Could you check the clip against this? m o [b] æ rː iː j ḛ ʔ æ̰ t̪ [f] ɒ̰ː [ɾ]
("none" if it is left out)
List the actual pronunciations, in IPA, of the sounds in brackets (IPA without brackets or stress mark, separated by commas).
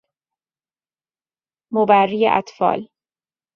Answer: b, f, l